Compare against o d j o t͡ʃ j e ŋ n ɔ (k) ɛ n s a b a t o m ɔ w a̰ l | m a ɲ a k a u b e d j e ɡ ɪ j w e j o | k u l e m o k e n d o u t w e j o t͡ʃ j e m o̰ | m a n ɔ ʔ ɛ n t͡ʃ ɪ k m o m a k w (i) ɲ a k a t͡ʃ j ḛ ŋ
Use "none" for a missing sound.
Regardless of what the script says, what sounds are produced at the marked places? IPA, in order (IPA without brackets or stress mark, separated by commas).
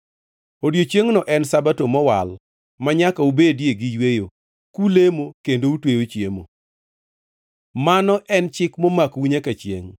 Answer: ʔ, i